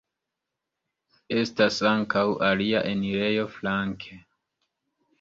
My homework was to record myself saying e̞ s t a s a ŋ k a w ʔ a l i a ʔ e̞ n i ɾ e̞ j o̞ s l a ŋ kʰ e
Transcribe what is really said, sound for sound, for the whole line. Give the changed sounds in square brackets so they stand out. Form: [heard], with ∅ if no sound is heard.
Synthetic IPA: e̞ s t a s a ŋ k a w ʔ a l i a ʔ e̞ n i ɾ e̞ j o̞ [f] l a ŋ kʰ e